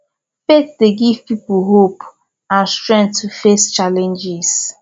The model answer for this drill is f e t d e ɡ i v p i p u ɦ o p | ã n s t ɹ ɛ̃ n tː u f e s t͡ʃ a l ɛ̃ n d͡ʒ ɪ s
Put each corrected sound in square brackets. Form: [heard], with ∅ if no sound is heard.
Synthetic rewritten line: f e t d e ɡ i v p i p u ɦ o p | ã n s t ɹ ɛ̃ n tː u f e s t͡ʃ a l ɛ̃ n d͡ʒ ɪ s

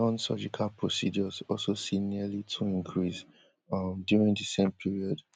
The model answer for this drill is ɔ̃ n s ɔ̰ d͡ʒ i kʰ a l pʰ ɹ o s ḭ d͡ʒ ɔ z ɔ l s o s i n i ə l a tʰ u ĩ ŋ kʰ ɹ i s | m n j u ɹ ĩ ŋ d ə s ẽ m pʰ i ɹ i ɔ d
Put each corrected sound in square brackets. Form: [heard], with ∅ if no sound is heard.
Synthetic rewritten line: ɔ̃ n s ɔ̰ d͡ʒ i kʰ a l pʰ ɹ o s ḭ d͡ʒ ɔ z ɔ l s o s i n i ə l [i] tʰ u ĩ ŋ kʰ ɹ i s | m [d] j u ɹ ĩ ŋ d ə s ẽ m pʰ i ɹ i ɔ d

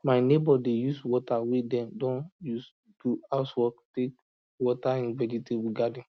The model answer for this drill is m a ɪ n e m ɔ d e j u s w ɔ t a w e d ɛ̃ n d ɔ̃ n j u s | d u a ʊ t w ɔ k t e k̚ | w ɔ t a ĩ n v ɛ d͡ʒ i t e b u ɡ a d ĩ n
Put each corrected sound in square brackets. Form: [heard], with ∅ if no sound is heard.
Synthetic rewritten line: m a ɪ n e [b] ɔ d e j u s w ɔ t a w e d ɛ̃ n d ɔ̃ n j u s | d u a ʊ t w ɔ k t e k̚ | w ɔ t a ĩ n v ɛ d͡ʒ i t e b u ɡ a d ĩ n

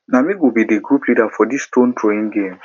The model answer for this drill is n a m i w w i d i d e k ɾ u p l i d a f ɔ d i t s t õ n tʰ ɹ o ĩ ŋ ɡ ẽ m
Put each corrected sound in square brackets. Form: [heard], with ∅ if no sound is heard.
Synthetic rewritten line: n a m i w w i [b] i d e [ɡ] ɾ u p l i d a f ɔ d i [∅] s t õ n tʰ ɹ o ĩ ŋ ɡ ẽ m

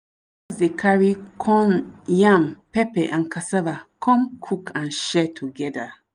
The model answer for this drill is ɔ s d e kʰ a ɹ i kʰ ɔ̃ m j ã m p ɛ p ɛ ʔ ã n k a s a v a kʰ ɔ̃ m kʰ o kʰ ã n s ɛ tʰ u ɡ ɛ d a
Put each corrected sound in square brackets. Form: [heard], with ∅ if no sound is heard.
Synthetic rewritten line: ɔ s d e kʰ a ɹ i kʰ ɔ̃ [n] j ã m p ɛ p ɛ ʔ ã n k a s a v a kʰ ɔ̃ m kʰ [u] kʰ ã n [ʃ] ɛ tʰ u ɡ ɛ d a

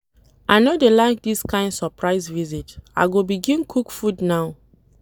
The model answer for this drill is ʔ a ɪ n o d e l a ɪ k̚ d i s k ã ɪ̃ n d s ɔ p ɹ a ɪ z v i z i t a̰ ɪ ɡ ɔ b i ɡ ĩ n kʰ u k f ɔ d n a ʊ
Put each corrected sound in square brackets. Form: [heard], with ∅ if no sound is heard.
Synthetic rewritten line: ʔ a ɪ n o d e l a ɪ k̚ d i s k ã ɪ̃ n d s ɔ p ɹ a ɪ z v i z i t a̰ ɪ ɡ [o] b i ɡ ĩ n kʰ u k f [u] d n a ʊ

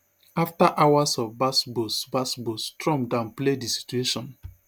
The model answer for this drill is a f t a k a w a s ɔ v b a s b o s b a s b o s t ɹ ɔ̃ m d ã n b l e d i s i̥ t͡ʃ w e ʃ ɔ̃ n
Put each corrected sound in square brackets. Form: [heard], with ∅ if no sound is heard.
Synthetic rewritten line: a f t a [ʔ] a w a s ɔ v b a s b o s b a s b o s t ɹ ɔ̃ m d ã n [p] l e d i s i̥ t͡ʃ [u] e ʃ ɔ̃ n

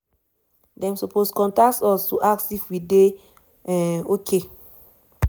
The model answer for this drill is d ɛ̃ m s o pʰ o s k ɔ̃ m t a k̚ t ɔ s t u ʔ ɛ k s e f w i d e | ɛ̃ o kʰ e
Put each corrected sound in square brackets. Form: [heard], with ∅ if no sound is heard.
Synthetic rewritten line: d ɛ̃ m s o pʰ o s k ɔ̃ [n] t a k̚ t ɔ s t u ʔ [a] k s [i] f w i d e | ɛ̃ o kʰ e

